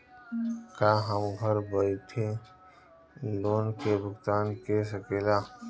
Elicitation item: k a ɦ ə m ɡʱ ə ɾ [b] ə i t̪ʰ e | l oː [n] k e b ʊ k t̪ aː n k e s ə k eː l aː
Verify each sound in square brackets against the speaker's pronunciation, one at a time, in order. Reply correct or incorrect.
correct, correct

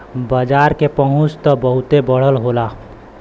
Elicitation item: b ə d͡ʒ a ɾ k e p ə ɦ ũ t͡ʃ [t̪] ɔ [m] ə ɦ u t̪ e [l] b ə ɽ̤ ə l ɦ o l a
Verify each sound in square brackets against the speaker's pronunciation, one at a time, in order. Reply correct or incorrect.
correct, incorrect, incorrect

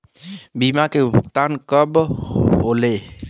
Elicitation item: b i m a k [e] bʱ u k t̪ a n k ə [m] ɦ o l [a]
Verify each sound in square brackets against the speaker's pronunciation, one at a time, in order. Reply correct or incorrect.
correct, incorrect, incorrect

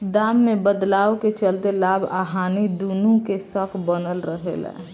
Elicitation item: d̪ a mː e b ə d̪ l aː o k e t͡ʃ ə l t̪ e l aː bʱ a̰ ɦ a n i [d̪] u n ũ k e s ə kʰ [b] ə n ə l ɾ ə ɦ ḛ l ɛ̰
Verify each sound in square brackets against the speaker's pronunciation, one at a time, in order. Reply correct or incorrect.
correct, correct

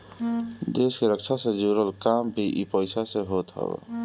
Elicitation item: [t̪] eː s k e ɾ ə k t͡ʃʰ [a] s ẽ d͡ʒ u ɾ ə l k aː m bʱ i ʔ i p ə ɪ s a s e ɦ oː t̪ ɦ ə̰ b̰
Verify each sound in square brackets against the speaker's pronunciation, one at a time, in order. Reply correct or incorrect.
incorrect, correct

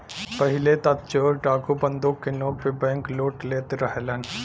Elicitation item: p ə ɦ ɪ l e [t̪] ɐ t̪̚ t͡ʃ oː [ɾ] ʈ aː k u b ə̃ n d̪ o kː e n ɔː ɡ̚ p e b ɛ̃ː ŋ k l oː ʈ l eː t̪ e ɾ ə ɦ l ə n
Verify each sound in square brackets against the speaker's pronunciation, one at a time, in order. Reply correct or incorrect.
correct, correct

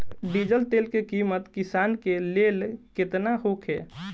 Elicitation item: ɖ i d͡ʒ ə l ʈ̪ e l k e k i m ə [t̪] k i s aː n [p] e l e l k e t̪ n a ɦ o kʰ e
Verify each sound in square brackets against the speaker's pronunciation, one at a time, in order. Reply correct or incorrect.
correct, incorrect

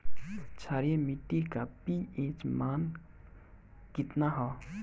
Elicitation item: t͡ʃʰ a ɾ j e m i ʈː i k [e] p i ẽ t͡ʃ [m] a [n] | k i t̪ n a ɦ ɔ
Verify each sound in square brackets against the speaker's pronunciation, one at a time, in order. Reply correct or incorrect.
incorrect, correct, correct

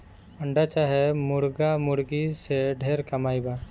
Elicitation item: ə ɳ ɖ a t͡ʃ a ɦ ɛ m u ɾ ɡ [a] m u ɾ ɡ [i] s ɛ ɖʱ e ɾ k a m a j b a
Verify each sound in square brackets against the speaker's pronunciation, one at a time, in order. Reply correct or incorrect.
correct, correct

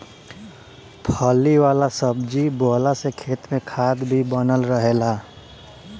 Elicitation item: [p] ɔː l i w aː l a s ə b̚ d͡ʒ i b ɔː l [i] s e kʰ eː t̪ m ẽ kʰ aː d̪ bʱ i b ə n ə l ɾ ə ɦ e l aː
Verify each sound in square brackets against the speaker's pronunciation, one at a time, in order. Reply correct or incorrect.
incorrect, incorrect

